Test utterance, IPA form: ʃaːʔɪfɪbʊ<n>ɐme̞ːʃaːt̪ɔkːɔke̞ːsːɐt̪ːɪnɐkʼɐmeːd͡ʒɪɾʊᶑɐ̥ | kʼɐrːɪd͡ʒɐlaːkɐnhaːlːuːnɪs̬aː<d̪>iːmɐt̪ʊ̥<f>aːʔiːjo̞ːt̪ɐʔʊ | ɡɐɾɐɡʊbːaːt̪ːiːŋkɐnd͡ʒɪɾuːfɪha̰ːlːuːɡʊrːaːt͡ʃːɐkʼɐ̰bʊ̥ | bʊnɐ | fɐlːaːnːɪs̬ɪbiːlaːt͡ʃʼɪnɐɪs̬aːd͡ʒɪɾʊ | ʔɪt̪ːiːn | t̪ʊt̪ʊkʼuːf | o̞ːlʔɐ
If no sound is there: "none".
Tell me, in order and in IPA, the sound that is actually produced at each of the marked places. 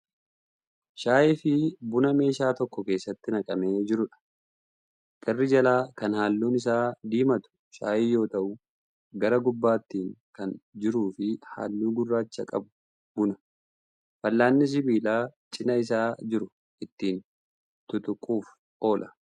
n, d̪, ʃ

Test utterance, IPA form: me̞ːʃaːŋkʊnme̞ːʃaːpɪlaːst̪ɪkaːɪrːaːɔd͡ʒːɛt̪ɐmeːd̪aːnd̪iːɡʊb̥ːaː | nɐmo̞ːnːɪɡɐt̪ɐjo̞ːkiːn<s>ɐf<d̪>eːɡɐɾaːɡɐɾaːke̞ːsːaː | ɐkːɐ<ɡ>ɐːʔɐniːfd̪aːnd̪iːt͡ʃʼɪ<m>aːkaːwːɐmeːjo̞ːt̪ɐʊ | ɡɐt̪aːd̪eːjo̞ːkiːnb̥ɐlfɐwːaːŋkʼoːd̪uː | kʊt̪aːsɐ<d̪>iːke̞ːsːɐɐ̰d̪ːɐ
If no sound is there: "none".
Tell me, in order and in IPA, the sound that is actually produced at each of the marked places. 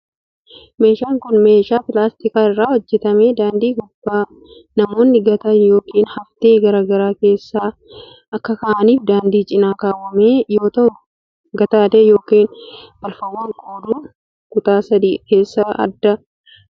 h, t̪, k, n, d̪

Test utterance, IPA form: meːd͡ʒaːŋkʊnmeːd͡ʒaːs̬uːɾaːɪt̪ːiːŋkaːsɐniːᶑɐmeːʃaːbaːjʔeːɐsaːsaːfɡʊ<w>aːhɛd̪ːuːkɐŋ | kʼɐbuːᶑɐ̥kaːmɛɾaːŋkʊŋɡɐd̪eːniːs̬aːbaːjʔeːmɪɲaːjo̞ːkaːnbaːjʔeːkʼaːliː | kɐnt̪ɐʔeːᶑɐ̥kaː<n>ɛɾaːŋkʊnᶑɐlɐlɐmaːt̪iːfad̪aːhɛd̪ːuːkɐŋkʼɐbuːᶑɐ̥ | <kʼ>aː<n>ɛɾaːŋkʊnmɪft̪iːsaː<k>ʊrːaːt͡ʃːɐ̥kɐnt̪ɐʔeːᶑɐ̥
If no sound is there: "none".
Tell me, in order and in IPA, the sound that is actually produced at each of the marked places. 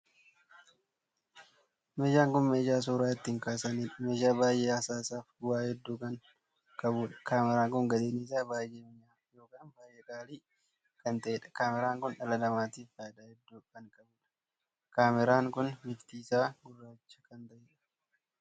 w, m, k, m, ɡ

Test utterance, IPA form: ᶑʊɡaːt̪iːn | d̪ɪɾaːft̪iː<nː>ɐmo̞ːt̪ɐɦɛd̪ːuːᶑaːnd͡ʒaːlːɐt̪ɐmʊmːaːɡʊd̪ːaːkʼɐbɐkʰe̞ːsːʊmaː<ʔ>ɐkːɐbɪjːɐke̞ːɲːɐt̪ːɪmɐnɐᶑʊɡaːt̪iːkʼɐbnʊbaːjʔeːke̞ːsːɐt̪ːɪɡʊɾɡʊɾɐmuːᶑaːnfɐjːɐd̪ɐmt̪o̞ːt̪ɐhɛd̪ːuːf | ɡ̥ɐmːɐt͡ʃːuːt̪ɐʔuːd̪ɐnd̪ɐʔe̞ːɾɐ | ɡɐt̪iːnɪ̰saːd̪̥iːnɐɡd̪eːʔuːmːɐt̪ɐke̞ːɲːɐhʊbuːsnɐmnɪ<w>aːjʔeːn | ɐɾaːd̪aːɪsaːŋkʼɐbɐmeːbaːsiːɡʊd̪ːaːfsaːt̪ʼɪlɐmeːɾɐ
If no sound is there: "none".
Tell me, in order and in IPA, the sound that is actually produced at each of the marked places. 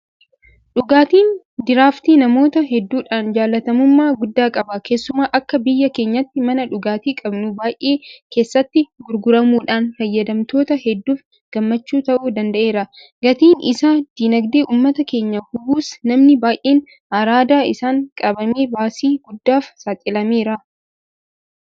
n, ʔ, b

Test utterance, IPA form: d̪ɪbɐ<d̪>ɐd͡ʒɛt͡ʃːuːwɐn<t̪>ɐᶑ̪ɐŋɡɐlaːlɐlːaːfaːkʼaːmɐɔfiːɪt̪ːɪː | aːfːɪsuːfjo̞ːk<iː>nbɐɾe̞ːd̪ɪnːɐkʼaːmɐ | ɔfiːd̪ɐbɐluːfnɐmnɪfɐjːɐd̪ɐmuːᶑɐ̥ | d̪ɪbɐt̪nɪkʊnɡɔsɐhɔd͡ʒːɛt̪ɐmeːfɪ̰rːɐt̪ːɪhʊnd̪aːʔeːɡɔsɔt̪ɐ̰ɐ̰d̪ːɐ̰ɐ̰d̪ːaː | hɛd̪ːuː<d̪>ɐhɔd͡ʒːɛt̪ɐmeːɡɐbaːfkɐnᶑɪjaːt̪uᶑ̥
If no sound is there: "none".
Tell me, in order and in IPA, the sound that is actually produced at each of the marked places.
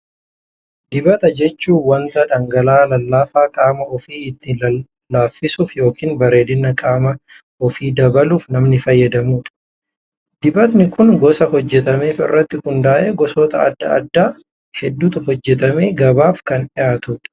t̪, t̪, iː, t̪

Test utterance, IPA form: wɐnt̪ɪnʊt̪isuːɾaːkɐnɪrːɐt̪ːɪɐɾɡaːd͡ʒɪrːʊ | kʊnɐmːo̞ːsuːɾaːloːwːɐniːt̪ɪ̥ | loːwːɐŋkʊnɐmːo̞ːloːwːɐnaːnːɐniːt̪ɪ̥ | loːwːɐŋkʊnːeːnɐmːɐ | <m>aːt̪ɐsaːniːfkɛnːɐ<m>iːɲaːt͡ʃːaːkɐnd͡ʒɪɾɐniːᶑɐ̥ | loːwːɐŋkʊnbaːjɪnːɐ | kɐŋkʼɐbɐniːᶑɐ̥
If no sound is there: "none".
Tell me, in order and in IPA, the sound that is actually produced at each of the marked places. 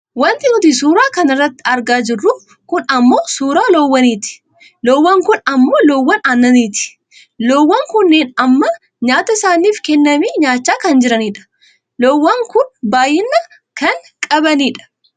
ɲ, m

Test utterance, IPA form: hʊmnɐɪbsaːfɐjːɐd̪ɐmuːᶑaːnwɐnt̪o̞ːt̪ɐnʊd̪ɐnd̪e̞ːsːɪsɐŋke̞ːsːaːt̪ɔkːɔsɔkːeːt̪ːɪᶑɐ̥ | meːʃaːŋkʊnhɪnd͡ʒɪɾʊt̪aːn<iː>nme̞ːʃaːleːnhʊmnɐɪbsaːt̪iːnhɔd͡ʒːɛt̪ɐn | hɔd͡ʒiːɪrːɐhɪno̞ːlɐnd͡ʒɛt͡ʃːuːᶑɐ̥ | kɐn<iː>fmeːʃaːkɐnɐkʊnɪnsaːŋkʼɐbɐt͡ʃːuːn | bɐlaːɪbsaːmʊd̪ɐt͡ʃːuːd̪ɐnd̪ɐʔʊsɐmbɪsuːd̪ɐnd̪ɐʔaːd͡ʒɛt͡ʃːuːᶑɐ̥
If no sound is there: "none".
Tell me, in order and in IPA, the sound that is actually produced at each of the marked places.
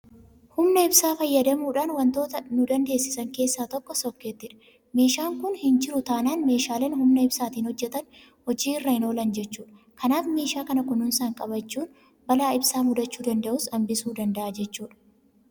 aː, aː

